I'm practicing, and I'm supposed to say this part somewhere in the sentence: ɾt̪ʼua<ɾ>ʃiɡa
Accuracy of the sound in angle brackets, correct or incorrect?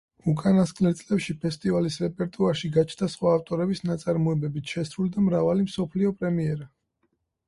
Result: correct